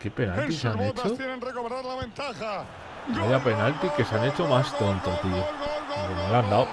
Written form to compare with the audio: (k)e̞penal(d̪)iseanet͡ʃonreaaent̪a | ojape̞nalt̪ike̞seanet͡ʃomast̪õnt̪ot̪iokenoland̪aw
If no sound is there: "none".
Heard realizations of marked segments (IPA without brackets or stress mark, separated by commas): k, t̪